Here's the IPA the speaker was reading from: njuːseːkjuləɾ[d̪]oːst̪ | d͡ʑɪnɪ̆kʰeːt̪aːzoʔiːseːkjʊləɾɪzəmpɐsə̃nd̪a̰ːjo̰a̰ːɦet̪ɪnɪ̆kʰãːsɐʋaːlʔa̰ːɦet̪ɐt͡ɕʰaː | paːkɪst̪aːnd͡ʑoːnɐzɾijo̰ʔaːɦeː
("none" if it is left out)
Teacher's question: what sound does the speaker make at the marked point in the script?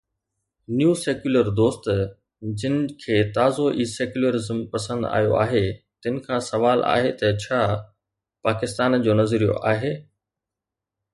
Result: d̪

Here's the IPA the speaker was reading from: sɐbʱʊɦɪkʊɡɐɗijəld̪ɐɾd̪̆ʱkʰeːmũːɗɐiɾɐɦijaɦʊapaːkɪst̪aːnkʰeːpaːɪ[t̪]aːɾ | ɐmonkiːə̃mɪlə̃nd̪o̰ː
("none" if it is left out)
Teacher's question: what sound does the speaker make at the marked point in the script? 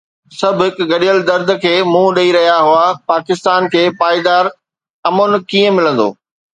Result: d̪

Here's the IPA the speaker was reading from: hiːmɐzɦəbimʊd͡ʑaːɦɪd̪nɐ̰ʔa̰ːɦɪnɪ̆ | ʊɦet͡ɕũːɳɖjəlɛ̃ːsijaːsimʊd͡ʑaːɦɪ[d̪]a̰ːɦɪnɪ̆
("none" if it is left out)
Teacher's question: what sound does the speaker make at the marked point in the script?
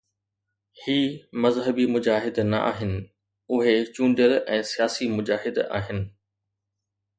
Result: d̪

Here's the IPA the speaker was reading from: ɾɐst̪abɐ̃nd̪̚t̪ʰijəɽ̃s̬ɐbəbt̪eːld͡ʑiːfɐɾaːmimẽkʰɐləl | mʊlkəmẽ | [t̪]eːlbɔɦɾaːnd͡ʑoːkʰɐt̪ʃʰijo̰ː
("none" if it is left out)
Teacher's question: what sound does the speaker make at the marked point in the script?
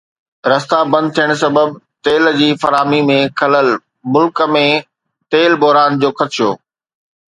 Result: t̪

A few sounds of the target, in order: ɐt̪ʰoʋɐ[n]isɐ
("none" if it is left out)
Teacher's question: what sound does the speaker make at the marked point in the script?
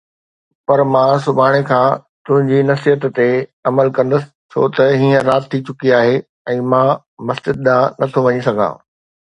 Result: ɲ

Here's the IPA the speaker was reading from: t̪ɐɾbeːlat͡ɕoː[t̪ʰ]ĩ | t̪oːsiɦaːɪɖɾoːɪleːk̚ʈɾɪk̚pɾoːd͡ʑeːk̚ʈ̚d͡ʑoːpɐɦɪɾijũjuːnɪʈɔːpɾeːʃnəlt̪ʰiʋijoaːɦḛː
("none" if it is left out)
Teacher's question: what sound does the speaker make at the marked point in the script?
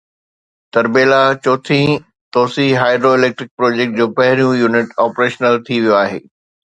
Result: t̪ʰ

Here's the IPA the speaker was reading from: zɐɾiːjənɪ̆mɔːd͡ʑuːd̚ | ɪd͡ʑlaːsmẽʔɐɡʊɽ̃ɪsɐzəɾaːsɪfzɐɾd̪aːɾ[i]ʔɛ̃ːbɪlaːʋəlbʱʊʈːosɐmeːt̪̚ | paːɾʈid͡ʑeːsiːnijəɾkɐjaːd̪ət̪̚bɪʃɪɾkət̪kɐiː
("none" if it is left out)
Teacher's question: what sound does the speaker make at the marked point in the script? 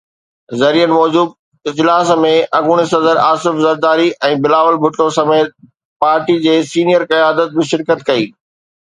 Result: i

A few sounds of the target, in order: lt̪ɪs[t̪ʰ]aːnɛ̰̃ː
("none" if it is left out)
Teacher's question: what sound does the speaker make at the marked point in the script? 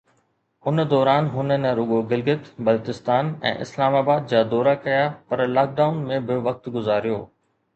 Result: t̪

